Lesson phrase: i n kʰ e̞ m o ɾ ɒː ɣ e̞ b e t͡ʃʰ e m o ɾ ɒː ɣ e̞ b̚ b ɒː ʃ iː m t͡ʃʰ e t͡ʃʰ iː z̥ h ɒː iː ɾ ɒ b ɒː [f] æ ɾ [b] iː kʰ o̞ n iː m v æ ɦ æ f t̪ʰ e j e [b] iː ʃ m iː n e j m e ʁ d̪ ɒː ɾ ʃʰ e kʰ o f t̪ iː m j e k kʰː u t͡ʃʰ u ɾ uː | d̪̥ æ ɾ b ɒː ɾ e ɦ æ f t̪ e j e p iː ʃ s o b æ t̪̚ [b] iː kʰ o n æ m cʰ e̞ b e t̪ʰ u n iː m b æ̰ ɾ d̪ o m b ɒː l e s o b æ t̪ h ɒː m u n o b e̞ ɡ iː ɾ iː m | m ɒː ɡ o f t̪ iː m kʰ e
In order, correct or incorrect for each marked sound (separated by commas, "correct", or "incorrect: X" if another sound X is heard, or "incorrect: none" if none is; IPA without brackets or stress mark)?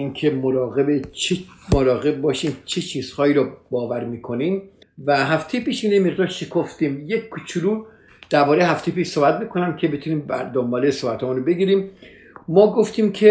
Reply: incorrect: v, incorrect: m, incorrect: p, incorrect: m